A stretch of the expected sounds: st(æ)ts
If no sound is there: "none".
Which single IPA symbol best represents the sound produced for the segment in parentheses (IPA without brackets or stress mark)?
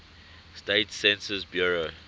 e